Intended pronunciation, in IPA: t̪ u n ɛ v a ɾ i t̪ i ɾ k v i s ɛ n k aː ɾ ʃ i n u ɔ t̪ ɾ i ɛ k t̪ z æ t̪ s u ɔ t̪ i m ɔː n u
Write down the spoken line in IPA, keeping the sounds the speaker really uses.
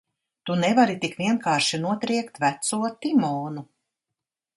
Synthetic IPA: t̪ u n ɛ v a ɾ i t̪ i k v i ɛ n k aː ɾ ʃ i n u ɔ t̪ ɾ i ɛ k t̪ v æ t̪ s u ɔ t̪ i m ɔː n u

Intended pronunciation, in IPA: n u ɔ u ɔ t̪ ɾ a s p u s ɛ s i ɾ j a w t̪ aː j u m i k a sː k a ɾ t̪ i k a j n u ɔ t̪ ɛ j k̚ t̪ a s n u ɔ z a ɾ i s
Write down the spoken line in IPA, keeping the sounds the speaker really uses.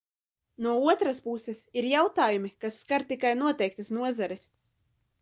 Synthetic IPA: n u ɔ u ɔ t̪ ɾ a s p u s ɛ s i ɾ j a w t̪ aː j u m i k a sː k a ɾ t̪ i k a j n u ɔ t̪ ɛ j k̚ t̪ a s n u ɔ z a ɾ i s

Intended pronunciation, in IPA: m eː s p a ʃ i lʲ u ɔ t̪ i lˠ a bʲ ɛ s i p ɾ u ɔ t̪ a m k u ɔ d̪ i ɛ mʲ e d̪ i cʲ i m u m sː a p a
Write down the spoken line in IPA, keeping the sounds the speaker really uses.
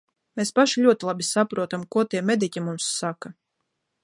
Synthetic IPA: m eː s p a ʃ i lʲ u ɔ t̪ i lˠ a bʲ i s a p ɾ u ɔ t̪ a m k u ɔ t̪ i ɛ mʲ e d̪ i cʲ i m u m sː a k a

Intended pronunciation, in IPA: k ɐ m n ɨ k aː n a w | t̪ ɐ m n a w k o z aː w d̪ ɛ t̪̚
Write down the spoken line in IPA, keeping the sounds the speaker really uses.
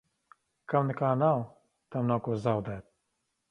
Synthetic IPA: k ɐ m n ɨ k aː n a w | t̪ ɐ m n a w k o z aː w d̪ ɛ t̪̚

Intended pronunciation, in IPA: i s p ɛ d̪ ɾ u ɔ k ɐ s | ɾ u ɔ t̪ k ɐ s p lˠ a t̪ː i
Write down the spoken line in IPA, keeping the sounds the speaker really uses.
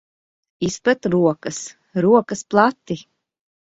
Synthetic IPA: i s p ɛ t̪ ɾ u ɔ k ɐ s | ɾ u ɔ k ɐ s p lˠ a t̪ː i

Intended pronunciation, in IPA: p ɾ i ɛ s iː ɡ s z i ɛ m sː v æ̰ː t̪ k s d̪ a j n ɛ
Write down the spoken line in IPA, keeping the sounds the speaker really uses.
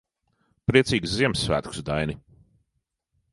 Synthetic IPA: p ɾ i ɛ s iː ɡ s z i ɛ m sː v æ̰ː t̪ k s d̪ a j n i

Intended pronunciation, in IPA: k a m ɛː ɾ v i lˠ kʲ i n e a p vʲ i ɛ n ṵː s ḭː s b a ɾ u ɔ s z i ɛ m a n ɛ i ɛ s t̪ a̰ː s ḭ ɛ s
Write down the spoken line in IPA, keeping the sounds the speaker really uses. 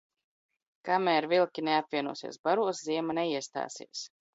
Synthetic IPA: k a m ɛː ɾ v i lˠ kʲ i n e a p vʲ i ɛ n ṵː s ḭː s b a ɾ u ɔ s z i ɛ m a n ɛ i ɛ s t̪ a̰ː s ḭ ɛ s

